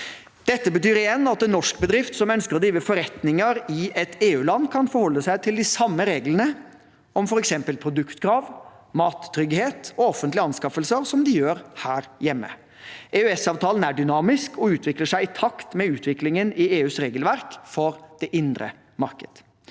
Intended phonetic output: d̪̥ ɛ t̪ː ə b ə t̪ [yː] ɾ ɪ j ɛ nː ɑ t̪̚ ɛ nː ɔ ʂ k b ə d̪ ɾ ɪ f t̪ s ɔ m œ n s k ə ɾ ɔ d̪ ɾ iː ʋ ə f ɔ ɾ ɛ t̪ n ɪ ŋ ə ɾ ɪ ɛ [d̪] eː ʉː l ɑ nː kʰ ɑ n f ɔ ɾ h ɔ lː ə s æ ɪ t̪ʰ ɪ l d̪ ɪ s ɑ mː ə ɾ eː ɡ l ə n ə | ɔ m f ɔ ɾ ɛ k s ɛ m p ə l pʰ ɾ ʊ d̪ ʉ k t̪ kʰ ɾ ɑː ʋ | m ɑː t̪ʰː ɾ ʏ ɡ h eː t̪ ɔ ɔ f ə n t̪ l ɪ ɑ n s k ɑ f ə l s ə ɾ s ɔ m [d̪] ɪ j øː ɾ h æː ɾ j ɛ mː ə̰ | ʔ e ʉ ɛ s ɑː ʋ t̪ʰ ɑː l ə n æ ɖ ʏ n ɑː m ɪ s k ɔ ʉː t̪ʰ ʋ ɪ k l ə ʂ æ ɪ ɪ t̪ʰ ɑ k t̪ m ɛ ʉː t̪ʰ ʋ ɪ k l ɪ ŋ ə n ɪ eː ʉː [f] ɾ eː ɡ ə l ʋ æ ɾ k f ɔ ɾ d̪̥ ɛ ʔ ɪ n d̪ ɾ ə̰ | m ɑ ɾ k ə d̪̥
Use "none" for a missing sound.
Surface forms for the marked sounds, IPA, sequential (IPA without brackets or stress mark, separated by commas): yː, t̪, d̪, s